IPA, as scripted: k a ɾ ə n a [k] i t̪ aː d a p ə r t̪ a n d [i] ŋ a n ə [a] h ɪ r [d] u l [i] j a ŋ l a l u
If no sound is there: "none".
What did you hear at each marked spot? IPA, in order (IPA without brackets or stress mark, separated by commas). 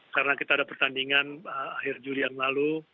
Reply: k, i, a, d͡ʒ, i